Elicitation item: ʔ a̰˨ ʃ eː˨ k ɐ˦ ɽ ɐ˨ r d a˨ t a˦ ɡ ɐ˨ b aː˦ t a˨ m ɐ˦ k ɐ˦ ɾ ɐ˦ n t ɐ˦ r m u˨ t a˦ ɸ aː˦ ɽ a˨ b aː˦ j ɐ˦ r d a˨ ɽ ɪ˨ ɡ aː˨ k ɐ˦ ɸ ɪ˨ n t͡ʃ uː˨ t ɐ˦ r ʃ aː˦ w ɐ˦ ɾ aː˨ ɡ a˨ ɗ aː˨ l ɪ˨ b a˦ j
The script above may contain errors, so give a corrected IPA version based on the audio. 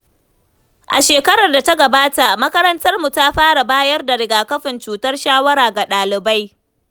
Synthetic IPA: ʔ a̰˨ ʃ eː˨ k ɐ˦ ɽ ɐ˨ r d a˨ t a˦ ɡ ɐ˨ b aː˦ t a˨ m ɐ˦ k ɐ˦ ɾ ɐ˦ n t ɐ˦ r m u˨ t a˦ ɸ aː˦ ɽ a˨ b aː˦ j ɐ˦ r d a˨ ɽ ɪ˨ ɡ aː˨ k ɐ˦ ɸ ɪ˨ n t͡ʃ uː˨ t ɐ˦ r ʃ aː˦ w ɐ˦ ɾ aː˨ ɡ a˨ ɗ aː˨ l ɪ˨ b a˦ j